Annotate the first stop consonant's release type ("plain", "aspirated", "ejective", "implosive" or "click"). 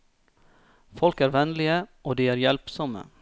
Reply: plain